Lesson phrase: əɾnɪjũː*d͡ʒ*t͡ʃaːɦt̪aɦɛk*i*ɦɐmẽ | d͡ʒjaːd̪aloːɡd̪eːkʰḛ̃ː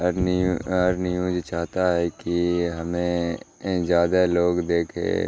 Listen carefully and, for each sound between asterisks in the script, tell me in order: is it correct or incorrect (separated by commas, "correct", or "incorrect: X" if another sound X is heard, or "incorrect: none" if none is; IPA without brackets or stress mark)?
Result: correct, correct